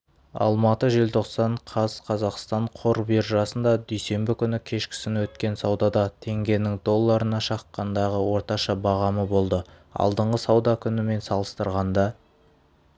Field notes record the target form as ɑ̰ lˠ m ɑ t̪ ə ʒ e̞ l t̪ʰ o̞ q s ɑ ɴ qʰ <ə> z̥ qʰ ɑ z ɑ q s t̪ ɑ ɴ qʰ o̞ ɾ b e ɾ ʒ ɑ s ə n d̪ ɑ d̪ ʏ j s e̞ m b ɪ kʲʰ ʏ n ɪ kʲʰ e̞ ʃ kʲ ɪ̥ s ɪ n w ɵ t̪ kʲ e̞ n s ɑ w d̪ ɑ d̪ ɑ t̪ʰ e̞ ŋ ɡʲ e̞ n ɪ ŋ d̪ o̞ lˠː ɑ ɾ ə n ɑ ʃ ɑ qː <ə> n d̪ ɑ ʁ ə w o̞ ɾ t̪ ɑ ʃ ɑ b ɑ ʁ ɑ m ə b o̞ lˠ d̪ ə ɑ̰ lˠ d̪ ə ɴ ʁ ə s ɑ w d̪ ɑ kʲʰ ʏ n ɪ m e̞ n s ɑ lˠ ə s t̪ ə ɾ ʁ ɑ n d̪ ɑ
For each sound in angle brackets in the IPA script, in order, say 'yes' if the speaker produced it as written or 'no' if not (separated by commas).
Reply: no, no